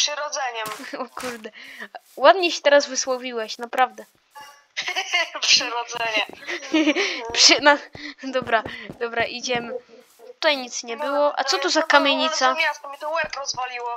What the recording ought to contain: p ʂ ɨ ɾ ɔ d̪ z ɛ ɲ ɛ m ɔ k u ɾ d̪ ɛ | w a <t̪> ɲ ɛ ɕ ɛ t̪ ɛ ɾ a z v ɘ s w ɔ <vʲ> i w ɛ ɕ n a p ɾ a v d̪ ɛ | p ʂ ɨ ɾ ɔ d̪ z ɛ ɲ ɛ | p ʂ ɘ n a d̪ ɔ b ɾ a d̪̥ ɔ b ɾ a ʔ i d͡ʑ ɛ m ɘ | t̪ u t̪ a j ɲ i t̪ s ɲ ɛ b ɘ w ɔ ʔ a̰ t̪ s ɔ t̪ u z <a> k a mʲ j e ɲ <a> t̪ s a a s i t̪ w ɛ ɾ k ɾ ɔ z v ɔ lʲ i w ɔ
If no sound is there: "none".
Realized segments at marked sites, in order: d̪, vʲ, a, i

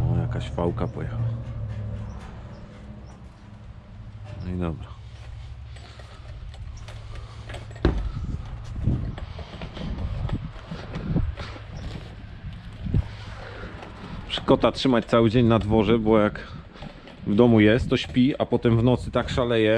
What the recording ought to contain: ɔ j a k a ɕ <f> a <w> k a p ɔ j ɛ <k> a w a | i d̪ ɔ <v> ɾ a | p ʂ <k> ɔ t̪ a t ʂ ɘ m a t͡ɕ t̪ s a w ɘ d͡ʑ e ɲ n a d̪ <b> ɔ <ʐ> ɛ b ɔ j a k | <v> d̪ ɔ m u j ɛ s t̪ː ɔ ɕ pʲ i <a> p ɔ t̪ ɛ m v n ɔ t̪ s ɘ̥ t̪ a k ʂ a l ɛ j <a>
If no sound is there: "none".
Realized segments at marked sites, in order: f, w, x, b, k, v, ʐ, v, a, ɛ

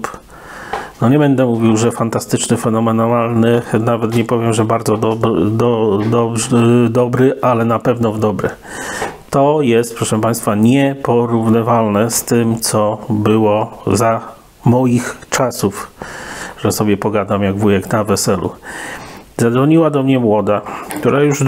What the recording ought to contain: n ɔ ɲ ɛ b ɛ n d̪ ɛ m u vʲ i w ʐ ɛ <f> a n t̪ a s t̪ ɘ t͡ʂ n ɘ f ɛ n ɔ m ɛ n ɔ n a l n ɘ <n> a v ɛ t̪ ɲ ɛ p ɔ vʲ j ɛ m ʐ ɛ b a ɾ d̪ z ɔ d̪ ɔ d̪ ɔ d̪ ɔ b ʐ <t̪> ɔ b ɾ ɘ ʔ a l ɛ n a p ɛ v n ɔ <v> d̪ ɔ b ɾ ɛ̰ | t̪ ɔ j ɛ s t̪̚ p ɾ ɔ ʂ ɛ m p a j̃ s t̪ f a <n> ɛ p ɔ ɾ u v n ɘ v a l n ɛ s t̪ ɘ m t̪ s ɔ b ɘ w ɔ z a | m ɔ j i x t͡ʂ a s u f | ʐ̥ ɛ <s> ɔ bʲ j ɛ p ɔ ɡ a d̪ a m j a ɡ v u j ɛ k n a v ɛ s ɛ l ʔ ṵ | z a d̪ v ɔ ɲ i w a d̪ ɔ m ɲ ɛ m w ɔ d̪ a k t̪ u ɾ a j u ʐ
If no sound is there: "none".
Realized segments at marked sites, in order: f, n, d̪, v, ɲ, s

